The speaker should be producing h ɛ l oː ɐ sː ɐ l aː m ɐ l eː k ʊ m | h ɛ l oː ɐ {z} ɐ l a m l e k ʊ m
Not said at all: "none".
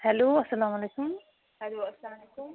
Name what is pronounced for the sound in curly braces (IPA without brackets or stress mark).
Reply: s